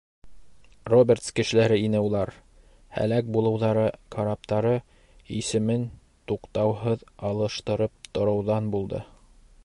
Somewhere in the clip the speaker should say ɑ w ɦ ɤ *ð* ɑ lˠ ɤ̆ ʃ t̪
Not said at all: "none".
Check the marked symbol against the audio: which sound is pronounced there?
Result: ð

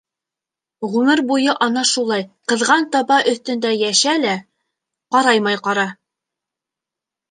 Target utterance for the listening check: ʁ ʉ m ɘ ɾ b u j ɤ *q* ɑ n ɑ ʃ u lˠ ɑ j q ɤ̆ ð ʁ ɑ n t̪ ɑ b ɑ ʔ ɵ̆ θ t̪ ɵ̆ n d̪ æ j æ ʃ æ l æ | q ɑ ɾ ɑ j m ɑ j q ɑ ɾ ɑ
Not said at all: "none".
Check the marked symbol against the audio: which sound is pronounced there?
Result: ʔ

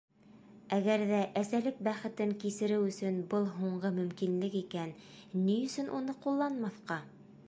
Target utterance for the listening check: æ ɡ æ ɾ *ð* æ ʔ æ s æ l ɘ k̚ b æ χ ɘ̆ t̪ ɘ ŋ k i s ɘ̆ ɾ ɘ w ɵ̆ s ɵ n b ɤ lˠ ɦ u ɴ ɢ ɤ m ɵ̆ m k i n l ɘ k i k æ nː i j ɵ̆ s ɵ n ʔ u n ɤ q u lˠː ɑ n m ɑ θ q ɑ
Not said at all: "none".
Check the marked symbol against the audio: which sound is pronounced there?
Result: ð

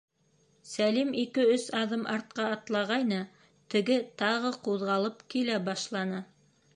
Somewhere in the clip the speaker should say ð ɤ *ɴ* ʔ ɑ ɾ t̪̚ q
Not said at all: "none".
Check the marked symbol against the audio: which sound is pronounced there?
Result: m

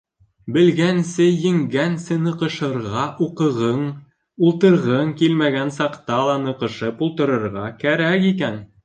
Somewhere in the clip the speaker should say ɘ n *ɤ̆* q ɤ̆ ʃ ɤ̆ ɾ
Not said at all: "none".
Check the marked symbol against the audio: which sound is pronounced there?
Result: ɤ̆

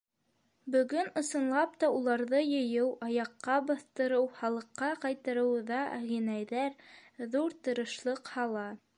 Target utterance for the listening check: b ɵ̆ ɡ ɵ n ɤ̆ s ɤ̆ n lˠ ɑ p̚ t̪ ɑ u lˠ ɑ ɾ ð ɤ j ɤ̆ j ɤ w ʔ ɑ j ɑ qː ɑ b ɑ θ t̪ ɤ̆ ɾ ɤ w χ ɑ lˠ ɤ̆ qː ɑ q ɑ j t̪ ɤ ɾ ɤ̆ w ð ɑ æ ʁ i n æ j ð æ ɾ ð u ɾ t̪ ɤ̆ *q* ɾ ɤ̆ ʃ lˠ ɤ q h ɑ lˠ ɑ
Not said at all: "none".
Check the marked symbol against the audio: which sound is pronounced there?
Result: none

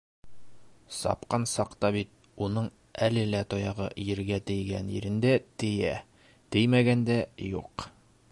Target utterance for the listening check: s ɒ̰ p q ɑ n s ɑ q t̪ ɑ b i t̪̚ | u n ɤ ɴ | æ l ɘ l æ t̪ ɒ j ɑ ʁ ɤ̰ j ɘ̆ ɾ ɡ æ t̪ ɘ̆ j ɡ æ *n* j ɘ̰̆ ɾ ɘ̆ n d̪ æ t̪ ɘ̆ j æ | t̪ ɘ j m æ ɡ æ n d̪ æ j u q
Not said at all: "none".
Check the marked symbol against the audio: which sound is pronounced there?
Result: n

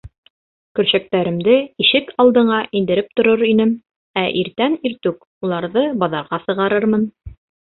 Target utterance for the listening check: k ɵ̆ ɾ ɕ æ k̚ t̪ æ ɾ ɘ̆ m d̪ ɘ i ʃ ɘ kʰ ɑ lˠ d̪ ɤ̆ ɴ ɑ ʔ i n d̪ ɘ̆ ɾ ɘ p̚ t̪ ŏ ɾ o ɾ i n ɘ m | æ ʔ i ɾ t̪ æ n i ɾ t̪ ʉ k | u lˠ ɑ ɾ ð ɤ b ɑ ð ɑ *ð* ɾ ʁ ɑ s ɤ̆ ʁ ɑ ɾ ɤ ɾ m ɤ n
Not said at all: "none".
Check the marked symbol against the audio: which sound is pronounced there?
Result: none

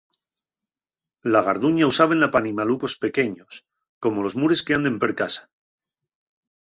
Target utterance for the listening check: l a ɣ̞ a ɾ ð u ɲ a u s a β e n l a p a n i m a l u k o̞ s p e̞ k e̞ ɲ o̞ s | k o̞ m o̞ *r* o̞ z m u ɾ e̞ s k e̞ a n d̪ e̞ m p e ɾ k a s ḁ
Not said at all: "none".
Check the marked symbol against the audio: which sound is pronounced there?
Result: l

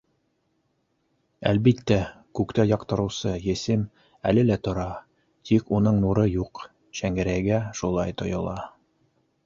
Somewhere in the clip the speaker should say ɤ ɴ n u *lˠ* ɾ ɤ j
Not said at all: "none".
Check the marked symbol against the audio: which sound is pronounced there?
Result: none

